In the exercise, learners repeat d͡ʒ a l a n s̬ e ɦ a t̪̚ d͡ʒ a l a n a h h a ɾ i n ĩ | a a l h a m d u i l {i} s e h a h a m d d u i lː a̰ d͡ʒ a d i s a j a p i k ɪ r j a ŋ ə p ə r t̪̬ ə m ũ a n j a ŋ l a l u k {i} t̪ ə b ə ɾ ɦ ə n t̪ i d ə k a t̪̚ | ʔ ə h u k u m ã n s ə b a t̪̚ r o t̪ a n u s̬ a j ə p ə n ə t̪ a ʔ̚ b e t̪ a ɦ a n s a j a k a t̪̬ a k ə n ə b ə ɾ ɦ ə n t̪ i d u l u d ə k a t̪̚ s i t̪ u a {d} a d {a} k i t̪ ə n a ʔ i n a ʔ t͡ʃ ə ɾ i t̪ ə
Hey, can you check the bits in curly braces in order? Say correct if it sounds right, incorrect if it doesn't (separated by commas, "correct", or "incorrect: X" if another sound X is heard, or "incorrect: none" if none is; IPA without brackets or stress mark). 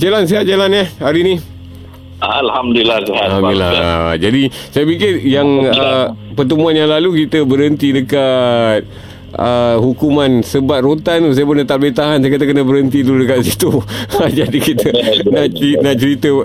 incorrect: a, correct, incorrect: d͡ʒ, incorrect: i